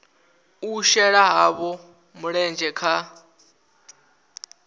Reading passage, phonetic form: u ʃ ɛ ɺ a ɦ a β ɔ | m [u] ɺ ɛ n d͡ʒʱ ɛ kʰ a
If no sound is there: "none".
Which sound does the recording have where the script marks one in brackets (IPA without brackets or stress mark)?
u